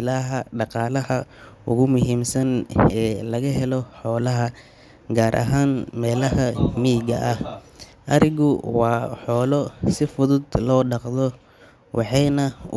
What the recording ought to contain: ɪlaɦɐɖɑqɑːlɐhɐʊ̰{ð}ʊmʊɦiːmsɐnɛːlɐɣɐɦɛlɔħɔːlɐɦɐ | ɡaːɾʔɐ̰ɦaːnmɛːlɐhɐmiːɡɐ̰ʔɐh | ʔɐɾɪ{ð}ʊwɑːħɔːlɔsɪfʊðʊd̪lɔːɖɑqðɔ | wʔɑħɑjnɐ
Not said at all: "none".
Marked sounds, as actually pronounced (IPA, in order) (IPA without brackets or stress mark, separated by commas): ɣ, ɣ